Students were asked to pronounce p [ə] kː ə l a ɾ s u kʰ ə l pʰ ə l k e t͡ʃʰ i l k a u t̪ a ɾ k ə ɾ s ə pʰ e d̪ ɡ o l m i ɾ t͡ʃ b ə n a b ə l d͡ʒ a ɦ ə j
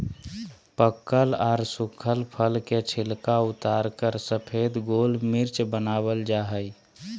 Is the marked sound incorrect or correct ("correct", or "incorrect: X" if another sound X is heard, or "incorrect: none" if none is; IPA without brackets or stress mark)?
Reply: correct